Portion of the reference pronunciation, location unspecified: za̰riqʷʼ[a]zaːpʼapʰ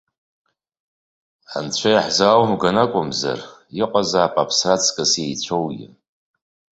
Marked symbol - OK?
yes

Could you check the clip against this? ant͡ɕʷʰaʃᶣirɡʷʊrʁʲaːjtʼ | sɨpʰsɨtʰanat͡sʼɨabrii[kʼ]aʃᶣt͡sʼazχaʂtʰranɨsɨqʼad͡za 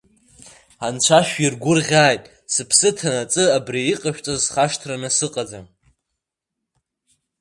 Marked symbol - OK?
no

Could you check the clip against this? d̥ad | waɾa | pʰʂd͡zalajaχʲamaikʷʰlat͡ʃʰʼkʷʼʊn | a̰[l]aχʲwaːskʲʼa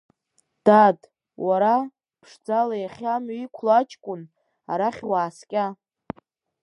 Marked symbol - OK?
no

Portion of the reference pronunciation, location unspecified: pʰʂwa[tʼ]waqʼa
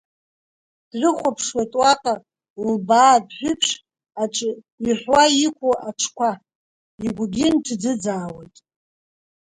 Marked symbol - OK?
yes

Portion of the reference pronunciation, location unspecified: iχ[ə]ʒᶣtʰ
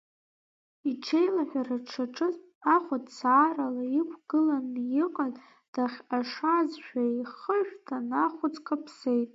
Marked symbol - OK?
yes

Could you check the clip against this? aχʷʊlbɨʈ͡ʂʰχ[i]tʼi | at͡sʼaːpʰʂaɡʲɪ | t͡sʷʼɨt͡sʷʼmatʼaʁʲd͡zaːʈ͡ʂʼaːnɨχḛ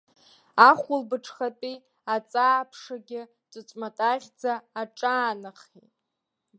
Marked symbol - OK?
no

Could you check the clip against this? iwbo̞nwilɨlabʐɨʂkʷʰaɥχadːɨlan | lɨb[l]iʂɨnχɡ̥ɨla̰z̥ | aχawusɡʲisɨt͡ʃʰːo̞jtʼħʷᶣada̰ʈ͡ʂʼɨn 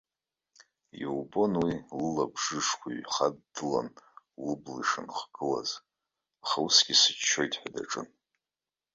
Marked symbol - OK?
yes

